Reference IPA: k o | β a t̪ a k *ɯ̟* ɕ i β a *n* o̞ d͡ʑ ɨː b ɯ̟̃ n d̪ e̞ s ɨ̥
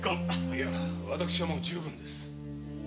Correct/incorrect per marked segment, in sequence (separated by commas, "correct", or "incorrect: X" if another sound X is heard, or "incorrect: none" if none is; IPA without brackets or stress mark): correct, incorrect: m